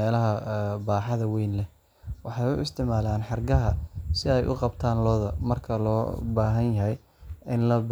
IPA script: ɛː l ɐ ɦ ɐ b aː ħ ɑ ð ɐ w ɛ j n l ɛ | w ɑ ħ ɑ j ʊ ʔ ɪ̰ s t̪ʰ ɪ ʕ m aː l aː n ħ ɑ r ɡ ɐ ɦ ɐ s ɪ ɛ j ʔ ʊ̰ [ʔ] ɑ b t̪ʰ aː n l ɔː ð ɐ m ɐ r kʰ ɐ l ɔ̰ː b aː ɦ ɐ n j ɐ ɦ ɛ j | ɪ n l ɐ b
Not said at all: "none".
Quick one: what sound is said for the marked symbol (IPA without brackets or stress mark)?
q